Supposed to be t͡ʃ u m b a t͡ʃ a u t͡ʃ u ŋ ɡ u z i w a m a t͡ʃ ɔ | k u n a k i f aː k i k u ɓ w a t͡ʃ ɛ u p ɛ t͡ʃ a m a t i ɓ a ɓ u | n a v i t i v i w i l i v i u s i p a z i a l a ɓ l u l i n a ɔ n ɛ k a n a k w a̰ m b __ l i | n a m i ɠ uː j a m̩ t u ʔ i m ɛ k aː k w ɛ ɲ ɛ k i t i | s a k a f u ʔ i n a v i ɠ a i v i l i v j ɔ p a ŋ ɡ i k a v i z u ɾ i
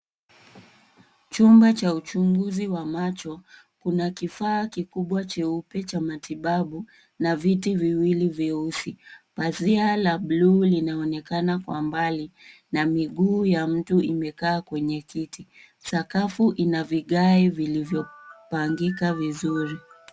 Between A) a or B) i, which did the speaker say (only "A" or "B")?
A